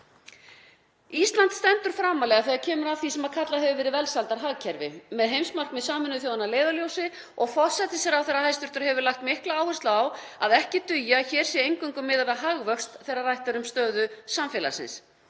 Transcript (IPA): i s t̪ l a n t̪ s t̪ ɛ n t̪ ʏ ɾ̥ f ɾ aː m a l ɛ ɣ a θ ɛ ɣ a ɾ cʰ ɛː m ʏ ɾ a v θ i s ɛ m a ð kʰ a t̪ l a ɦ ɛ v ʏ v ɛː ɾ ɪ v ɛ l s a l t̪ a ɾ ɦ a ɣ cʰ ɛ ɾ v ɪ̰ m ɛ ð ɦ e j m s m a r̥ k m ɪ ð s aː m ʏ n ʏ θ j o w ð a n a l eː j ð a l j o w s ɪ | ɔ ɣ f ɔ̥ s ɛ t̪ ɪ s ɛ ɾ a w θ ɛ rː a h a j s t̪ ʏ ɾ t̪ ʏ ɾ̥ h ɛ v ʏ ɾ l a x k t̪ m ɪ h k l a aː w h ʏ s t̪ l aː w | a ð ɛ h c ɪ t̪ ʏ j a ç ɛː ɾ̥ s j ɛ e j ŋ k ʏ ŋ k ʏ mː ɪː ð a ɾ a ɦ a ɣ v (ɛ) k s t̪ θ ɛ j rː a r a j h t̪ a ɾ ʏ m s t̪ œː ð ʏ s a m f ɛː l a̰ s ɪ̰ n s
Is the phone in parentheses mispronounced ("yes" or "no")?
yes